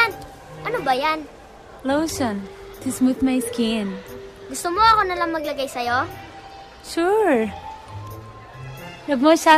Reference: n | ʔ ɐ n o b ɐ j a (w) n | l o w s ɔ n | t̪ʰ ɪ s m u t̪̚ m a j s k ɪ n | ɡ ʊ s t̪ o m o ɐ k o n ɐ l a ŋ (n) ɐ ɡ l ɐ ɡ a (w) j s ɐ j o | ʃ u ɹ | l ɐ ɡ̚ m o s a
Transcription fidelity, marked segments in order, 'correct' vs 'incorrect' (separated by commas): incorrect, incorrect, incorrect